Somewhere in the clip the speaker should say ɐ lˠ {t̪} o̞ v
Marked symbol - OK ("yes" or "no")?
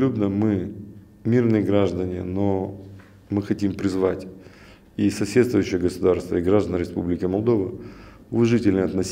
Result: no